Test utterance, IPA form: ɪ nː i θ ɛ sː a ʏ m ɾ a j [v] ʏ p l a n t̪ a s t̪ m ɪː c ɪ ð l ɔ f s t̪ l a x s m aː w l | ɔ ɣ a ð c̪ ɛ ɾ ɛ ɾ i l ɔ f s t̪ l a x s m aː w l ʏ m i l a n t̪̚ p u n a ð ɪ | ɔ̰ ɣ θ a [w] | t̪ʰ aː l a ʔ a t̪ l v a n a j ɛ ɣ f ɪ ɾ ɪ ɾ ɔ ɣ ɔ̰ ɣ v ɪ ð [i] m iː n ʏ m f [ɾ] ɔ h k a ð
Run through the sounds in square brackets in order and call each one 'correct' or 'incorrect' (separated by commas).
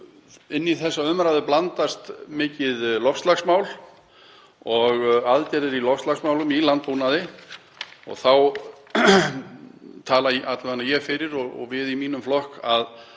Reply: incorrect, correct, correct, incorrect